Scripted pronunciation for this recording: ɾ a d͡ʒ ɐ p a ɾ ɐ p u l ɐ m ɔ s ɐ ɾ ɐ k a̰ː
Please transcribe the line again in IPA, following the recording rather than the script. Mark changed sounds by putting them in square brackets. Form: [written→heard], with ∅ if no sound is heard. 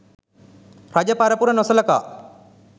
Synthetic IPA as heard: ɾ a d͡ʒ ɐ p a ɾ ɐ p u [l→ɾ] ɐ [m→n] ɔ s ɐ [ɾ→l] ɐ k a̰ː